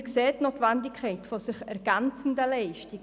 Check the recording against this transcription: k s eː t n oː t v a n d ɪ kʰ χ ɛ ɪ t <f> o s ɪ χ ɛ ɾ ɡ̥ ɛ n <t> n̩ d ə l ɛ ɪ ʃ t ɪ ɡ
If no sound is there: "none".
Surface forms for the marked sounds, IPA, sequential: f, t͡s

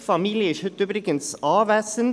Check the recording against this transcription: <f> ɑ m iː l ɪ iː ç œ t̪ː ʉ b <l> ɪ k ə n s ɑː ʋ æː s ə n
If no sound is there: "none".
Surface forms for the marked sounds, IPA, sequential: f, ɾ

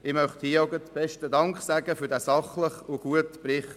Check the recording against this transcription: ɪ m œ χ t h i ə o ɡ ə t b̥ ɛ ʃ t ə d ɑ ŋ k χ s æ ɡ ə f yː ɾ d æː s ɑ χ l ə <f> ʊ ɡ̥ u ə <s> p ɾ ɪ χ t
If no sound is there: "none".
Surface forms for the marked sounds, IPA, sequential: χ, t

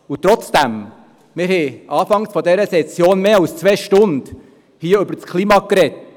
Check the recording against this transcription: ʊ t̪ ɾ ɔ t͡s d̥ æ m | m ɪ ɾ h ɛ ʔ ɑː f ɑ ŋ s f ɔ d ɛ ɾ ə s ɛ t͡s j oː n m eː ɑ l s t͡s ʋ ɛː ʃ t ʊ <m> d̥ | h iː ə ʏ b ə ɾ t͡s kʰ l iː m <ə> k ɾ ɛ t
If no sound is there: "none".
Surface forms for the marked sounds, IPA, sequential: n, ɑ

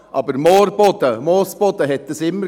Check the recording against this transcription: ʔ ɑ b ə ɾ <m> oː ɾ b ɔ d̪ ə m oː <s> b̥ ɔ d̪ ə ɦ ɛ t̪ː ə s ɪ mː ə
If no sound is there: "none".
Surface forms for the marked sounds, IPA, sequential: m, s

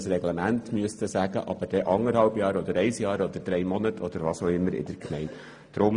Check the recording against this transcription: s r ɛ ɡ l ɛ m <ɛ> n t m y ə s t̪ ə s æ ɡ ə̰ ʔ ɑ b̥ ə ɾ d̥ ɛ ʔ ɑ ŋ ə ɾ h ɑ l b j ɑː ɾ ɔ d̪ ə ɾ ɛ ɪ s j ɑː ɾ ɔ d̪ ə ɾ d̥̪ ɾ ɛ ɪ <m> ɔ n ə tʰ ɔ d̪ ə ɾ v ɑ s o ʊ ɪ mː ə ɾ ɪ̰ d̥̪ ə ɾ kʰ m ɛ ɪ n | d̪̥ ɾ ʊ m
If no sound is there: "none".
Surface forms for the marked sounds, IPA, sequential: æ, m

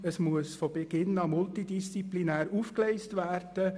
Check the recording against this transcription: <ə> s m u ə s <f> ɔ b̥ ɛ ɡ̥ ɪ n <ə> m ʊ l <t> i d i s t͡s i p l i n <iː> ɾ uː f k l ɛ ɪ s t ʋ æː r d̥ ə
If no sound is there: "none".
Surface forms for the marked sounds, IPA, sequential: ə, f, ɑ, t, æː

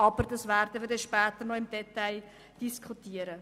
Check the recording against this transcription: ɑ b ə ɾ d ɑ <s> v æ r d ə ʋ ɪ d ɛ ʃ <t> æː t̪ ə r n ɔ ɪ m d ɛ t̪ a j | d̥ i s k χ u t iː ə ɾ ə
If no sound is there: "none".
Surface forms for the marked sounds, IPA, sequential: s, p

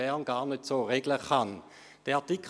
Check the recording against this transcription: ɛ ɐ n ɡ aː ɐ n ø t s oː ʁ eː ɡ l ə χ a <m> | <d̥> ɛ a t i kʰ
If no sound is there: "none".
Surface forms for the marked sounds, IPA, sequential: n, d̥

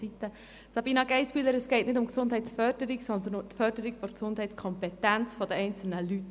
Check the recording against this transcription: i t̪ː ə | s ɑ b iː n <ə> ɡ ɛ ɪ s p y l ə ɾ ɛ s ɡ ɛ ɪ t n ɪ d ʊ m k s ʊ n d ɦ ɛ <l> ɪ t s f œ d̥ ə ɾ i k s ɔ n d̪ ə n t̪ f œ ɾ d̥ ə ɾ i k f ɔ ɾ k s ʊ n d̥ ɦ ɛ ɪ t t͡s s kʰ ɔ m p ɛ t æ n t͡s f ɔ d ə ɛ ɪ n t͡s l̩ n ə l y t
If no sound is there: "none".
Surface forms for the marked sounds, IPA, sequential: ɑ, none

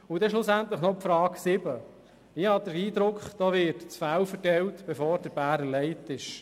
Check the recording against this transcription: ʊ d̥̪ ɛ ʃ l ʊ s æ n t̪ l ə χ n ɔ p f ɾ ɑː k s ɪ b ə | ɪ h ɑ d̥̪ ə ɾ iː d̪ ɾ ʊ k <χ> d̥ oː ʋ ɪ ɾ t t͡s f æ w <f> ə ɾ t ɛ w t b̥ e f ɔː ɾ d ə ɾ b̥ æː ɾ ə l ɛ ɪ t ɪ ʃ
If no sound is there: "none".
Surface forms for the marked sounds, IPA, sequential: χ, f

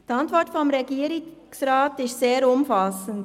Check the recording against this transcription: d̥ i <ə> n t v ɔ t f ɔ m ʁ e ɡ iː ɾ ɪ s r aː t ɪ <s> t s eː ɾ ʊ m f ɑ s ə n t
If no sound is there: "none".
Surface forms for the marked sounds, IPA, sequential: ɑ, s

